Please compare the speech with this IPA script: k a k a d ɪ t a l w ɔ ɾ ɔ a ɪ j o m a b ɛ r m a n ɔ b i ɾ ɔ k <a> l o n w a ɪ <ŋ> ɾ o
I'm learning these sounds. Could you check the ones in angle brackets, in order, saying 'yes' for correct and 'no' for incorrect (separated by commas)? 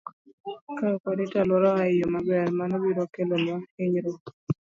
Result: no, no